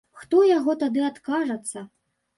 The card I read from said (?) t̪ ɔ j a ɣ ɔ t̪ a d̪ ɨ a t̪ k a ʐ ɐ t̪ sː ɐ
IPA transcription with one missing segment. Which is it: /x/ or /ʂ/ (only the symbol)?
x